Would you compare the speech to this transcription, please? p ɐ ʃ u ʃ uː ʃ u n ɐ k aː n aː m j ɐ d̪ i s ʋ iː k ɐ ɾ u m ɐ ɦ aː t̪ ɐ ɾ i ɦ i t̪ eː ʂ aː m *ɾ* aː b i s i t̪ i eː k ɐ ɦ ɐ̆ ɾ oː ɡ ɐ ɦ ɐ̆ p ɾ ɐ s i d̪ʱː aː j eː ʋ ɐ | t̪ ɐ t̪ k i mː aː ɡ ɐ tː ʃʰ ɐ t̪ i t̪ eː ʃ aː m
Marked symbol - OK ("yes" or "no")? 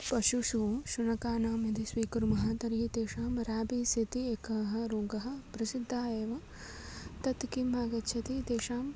yes